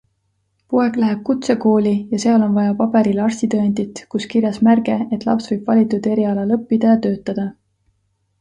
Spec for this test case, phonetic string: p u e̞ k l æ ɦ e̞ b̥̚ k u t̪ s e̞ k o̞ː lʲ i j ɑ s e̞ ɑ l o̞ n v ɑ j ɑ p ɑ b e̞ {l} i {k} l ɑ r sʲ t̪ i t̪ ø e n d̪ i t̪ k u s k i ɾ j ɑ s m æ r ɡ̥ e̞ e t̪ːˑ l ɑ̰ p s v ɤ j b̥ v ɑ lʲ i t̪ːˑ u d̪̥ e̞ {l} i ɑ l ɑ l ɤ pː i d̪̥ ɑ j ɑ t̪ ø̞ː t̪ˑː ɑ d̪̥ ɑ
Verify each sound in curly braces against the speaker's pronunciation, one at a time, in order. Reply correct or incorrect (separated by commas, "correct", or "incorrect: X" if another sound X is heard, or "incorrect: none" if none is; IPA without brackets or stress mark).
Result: incorrect: ɾ, incorrect: none, incorrect: ɾ